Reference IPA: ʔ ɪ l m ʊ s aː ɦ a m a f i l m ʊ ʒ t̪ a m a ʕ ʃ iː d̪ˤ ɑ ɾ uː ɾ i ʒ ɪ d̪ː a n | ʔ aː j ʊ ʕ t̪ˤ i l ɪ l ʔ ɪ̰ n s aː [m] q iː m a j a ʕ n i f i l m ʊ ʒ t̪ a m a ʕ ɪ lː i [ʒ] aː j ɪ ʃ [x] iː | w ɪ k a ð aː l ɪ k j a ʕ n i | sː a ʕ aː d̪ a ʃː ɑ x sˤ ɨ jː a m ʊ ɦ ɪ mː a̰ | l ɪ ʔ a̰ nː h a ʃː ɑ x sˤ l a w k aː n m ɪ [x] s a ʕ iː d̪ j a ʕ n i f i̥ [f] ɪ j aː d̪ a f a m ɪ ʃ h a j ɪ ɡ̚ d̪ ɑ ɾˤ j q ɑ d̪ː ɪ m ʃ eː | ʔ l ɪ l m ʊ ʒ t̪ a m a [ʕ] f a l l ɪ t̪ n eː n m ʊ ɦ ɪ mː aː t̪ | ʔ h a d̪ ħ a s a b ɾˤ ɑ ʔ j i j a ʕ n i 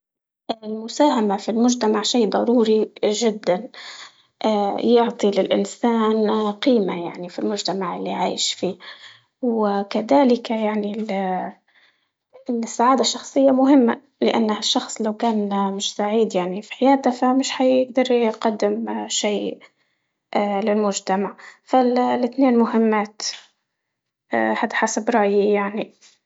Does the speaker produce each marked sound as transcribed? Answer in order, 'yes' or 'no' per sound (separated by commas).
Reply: no, no, no, no, no, yes